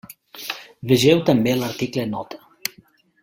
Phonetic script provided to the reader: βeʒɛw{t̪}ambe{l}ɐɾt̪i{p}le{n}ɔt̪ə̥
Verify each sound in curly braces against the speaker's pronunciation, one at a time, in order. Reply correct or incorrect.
correct, correct, incorrect: k, correct

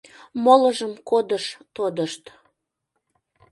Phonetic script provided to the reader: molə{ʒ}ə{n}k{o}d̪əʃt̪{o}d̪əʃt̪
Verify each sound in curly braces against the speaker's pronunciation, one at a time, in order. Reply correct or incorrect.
correct, incorrect: m, correct, correct

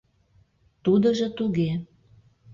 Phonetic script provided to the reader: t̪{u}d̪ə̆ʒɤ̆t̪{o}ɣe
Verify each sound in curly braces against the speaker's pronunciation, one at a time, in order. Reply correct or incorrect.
correct, incorrect: u

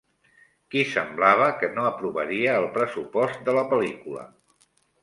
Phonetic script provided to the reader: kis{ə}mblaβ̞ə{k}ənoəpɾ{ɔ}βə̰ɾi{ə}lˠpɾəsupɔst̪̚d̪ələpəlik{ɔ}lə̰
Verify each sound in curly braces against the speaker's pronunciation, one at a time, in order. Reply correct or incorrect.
correct, correct, incorrect: u, incorrect: əː, incorrect: u

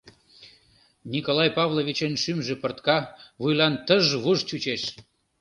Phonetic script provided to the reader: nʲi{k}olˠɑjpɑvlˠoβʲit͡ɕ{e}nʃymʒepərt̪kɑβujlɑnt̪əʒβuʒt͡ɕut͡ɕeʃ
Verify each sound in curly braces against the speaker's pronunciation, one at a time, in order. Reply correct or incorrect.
correct, correct

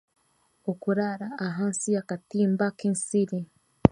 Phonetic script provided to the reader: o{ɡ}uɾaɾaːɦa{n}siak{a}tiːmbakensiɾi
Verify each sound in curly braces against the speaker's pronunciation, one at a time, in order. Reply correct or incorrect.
incorrect: k, correct, correct

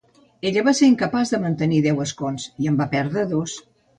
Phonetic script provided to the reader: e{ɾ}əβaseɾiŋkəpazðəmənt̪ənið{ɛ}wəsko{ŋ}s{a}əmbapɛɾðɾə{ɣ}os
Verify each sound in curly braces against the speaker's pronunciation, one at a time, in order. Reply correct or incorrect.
incorrect: ʎ, correct, incorrect: n, incorrect: i, incorrect: ð

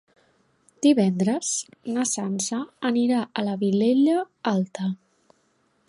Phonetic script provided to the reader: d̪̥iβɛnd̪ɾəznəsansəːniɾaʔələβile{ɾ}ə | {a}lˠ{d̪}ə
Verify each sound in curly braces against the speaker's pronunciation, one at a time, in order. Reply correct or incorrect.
incorrect: ʎ, correct, incorrect: t̪

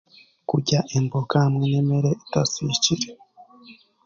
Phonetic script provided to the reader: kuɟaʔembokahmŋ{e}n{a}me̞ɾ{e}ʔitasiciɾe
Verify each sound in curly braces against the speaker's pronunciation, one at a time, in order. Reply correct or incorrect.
correct, incorrect: e, correct

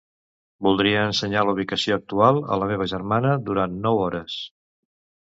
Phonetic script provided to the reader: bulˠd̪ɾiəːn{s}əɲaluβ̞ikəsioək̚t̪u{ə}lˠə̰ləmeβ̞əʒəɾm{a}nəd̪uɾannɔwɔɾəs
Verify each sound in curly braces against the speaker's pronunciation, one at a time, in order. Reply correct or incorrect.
correct, incorrect: a, correct

